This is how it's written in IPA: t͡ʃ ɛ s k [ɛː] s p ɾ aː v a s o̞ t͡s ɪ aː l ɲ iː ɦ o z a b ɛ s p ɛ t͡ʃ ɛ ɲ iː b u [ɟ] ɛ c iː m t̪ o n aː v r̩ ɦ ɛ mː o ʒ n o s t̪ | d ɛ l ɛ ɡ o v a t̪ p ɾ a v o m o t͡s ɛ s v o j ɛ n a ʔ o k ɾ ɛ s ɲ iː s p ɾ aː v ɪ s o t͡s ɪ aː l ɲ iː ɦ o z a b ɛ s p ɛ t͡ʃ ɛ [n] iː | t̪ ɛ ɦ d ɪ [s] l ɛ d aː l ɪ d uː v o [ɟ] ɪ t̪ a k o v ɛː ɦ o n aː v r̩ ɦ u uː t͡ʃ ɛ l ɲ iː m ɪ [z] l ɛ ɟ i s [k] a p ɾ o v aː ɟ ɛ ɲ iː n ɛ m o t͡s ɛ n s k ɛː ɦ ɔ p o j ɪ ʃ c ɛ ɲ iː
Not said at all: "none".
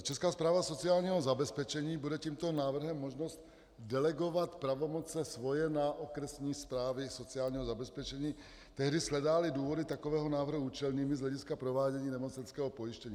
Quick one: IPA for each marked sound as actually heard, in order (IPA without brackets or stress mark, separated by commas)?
aː, d, ɲ, s, d, z, k